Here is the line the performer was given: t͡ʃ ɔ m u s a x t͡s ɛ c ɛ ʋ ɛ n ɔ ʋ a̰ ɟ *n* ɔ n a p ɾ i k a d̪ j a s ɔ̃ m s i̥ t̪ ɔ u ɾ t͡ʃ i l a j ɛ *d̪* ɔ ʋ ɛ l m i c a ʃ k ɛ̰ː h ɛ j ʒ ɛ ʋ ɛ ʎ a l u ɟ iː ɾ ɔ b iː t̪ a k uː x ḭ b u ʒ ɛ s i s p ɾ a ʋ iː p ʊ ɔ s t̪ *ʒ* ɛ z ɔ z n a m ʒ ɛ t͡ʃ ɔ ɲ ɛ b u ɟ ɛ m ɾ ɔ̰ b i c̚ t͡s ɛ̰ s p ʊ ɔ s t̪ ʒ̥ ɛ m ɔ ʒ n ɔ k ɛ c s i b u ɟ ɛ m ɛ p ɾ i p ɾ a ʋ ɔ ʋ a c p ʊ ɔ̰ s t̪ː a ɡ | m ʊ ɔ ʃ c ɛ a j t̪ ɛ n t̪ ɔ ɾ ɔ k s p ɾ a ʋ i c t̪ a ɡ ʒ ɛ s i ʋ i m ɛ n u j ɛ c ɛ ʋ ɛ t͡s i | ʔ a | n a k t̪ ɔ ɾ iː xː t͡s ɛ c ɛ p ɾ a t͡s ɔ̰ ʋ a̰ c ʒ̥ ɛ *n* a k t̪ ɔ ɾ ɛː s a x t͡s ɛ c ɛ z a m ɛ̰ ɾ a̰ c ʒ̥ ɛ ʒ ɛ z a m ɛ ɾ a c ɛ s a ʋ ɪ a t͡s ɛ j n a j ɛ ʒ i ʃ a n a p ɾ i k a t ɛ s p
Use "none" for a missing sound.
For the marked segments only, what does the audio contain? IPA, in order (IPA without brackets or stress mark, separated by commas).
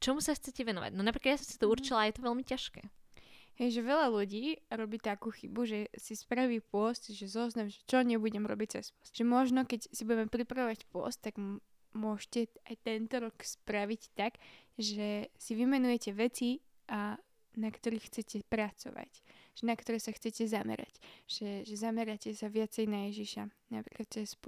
n, t̪, ʒ, n